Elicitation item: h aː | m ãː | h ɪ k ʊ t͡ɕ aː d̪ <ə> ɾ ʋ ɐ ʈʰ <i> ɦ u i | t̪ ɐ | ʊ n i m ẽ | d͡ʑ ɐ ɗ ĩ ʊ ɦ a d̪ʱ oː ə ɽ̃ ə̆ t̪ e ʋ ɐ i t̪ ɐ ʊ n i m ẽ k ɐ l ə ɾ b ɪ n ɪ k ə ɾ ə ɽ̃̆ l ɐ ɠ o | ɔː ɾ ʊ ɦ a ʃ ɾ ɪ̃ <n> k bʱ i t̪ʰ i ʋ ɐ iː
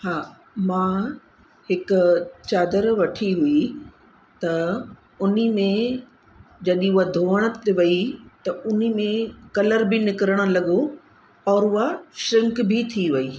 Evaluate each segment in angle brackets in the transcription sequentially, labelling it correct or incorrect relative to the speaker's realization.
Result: correct, correct, incorrect: ŋ

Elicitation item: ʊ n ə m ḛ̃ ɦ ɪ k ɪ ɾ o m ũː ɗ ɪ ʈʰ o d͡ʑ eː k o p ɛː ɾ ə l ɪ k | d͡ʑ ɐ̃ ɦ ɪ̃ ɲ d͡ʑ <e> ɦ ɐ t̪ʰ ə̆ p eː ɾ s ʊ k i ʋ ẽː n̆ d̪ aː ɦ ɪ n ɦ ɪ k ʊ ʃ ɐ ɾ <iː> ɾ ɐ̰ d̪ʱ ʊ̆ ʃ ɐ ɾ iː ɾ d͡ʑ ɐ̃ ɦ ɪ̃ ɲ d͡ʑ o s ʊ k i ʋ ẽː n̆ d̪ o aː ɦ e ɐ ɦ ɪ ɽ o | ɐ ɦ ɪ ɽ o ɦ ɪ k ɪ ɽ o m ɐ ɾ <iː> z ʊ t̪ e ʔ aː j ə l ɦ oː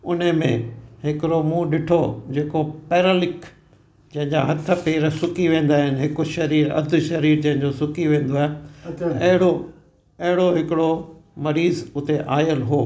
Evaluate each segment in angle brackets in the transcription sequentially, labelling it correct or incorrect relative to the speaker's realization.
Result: incorrect: a, correct, correct

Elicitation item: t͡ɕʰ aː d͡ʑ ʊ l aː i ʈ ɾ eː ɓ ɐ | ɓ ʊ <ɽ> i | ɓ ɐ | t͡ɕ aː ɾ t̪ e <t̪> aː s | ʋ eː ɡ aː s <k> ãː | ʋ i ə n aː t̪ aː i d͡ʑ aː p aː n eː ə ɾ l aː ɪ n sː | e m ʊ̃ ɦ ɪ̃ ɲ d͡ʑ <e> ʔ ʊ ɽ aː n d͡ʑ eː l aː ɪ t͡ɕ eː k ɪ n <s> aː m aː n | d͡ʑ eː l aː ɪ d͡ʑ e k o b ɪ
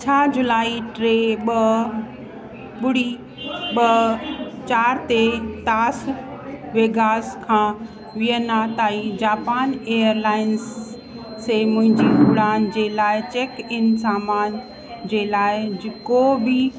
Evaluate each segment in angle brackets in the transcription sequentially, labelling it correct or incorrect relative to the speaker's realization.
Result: correct, correct, incorrect: kʰ, incorrect: i, correct

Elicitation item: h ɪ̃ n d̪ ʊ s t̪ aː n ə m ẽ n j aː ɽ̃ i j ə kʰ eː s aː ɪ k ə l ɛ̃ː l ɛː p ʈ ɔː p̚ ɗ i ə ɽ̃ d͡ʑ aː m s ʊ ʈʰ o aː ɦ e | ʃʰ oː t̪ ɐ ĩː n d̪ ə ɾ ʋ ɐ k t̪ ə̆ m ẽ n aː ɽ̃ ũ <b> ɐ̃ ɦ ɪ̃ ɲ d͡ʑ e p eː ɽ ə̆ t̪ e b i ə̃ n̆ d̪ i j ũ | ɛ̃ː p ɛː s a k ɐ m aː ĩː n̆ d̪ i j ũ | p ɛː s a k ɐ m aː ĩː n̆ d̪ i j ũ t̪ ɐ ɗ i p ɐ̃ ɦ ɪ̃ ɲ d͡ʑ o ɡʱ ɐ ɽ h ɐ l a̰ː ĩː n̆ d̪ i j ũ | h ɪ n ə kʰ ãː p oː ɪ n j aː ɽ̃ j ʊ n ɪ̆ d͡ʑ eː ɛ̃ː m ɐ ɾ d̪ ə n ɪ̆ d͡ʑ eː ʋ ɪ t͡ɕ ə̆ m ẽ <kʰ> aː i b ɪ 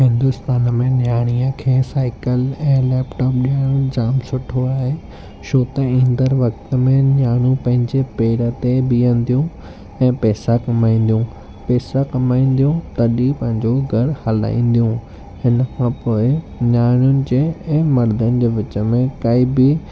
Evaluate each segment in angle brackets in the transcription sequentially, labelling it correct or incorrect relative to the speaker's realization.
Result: incorrect: p, incorrect: k

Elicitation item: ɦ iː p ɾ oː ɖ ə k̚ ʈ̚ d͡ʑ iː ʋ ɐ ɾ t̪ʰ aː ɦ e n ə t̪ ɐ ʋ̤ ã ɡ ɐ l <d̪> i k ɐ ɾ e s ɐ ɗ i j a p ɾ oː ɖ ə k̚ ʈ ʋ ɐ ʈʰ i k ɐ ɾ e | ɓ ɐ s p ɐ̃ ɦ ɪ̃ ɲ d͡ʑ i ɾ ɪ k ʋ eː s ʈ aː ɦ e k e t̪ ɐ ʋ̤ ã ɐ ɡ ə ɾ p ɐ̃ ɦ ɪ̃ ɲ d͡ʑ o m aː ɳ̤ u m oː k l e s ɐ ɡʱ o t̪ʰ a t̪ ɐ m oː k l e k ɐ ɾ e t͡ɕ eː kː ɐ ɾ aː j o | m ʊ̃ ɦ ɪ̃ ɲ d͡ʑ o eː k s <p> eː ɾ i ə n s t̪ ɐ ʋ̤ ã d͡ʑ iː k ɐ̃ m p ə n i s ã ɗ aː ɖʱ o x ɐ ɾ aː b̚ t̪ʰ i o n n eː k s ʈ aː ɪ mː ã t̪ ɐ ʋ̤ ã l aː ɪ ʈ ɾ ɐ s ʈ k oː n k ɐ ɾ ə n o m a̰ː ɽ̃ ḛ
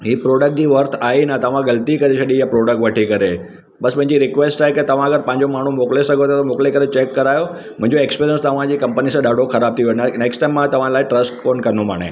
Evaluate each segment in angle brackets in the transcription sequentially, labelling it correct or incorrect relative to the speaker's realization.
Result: incorrect: t̪, correct

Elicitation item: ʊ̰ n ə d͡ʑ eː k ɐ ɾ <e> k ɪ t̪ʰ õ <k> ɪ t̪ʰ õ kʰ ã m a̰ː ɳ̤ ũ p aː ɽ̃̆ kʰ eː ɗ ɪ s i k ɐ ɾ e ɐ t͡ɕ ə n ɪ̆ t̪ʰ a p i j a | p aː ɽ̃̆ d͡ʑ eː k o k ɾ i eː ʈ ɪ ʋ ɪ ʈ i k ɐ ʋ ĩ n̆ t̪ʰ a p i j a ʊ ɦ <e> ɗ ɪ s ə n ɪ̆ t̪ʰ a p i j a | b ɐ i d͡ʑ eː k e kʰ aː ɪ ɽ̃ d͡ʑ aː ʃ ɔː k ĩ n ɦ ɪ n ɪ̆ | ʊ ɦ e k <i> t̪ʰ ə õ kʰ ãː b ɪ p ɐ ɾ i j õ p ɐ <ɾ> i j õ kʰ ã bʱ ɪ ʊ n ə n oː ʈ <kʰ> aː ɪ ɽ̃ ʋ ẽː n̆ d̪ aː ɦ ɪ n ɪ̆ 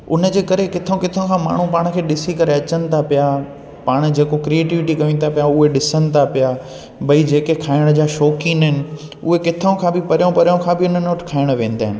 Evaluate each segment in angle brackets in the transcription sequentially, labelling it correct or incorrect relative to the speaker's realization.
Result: correct, correct, correct, incorrect: ɪ, correct, correct

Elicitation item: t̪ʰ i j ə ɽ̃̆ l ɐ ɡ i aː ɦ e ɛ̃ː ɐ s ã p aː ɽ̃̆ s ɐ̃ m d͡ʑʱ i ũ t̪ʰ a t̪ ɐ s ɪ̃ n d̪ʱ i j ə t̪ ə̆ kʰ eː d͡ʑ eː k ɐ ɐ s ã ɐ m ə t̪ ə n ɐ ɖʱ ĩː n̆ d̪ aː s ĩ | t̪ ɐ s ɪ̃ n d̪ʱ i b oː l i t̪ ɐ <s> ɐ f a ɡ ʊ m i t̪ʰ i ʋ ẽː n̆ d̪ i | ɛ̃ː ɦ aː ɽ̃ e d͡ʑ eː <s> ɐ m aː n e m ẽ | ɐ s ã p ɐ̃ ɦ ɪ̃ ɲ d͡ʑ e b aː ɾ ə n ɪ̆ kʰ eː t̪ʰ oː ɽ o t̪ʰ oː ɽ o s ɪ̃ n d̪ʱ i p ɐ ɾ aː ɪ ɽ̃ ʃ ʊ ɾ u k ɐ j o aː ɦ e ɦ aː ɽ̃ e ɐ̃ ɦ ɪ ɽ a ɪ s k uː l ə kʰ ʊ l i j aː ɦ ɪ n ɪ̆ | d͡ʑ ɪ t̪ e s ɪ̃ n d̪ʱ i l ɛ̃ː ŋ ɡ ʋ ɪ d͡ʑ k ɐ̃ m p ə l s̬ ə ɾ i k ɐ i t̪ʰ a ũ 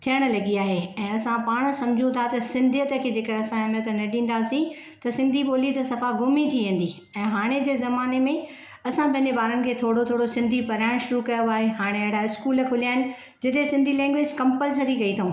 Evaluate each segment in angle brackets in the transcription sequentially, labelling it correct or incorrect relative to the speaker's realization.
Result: correct, incorrect: z

